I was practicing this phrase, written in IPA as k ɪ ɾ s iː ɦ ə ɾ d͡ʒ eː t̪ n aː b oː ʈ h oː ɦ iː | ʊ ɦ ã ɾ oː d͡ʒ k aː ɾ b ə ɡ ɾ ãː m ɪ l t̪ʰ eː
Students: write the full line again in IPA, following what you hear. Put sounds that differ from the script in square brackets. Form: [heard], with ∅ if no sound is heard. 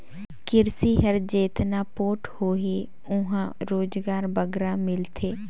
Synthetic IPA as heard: k ɪ ɾ s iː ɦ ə ɾ d͡ʒ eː t̪ n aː [p] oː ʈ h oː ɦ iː | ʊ ɦ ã ɾ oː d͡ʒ [ɡ] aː ɾ b ə ɡ ɾ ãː m ɪ l t̪ʰ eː